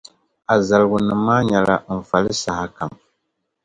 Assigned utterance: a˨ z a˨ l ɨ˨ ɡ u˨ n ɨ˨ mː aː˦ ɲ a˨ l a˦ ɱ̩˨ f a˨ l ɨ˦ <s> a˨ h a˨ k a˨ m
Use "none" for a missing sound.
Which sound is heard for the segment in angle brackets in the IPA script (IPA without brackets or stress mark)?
s